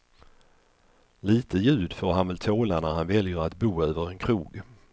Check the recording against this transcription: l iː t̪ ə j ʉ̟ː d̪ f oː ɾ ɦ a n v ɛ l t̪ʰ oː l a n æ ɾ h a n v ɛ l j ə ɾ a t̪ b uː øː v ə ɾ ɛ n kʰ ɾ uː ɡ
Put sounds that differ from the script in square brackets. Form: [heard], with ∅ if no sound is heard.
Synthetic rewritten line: l iː t̪ ə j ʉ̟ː d̪ f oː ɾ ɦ a n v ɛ l t̪ʰ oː l a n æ ɾ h a n v ɛ l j ə ɾ a t̪ b uː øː v ə ɾ ɛ n kʰ ɾ uː ɡ